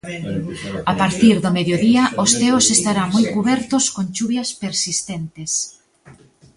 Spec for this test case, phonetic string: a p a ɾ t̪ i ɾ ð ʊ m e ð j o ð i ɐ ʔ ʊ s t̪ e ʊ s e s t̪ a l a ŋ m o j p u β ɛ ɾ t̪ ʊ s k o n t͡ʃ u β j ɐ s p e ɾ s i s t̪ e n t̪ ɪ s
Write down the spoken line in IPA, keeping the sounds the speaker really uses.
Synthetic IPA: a p a ɾ t̪ i ɾ ð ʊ m e ð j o ð i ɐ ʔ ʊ s t̪ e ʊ s e s t̪ a ɾ a ŋ m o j k u β ɛ ɾ t̪ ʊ s k o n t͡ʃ u β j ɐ s p e ɾ s i s t̪ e n t̪ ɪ s